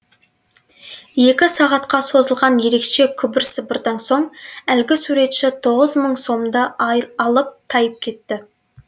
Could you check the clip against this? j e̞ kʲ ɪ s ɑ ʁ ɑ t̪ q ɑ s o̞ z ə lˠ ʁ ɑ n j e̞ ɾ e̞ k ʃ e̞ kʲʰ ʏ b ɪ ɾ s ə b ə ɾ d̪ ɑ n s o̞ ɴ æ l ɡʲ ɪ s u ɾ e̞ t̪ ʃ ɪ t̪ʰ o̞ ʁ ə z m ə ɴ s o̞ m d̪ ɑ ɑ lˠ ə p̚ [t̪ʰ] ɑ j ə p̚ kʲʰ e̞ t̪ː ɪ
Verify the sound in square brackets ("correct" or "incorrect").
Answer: correct